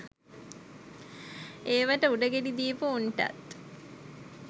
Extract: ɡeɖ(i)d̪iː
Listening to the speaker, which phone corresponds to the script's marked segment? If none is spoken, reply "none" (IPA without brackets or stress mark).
i